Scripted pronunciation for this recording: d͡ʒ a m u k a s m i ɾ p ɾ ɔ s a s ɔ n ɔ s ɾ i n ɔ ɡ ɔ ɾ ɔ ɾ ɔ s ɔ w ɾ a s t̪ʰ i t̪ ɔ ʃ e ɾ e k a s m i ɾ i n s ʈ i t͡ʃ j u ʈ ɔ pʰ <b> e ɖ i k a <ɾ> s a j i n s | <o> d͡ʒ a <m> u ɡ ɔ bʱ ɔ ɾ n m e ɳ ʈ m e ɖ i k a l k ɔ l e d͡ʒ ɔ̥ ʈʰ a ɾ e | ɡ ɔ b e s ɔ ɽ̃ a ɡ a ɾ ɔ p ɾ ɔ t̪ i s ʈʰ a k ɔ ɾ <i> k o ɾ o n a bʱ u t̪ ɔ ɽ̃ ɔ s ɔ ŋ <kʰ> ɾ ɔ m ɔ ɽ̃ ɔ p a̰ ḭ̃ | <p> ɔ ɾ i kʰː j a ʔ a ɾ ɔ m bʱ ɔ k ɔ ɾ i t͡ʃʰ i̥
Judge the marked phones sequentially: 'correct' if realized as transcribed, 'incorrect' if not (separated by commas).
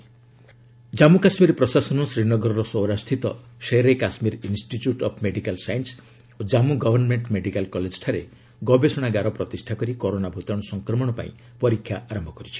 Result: incorrect, incorrect, correct, correct, correct, incorrect, correct